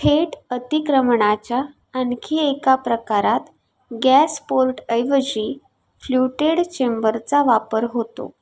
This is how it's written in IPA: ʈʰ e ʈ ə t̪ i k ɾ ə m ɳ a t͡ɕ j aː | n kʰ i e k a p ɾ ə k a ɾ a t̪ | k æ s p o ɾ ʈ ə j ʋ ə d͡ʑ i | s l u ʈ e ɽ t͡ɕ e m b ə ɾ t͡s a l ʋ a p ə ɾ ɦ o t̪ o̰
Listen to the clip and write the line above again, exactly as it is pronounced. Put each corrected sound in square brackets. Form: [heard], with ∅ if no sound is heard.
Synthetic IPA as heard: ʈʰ e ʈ ə t̪ i k ɾ ə m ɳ a t͡ɕ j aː | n kʰ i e k a p ɾ ə k a ɾ a t̪ | [ɡ] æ s p o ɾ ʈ ə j ʋ ə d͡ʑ i | [f] l u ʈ e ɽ t͡ɕ e m b ə ɾ t͡s a [∅] ʋ a p ə ɾ ɦ o t̪ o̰